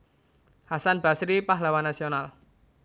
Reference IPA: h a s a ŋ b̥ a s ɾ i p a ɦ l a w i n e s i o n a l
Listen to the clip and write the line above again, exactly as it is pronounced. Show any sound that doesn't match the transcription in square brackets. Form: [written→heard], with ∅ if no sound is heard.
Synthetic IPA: h a s a [ŋ→n] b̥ a s ɾ i p a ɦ l a w [i→a] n [e→a] s i o n a l